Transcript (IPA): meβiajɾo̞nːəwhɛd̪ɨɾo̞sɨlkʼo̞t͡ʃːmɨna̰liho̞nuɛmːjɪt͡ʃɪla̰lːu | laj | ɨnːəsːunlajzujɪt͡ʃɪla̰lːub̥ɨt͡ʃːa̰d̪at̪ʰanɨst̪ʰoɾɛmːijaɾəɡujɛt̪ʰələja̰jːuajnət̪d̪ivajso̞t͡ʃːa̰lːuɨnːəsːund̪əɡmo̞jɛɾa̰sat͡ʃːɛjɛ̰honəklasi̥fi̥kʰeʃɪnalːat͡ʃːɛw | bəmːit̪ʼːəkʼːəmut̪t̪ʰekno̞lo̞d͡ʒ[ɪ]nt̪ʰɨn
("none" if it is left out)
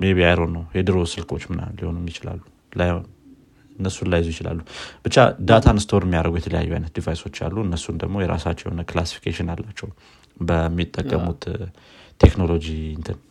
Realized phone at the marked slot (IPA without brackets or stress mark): i